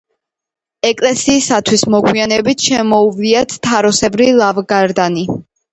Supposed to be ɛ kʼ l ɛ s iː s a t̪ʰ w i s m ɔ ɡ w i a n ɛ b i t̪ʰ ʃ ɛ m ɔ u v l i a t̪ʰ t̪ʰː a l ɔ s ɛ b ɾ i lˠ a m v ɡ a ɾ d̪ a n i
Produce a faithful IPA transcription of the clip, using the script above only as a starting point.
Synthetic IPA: ɛ kʼ l ɛ s iː s a t̪ʰ w i s m ɔ ɡ w i a n ɛ b i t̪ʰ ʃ ɛ m ɔ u v l i a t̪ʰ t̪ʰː a ɾ ɔ s ɛ b ɾ i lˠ a v ɡ a ɾ d̪ a n i